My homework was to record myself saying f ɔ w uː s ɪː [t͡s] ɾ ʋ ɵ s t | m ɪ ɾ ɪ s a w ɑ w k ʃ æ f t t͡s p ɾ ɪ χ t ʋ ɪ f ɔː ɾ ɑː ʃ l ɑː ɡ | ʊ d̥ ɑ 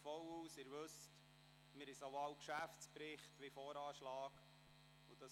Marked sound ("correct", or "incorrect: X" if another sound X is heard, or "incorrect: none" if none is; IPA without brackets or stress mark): incorrect: none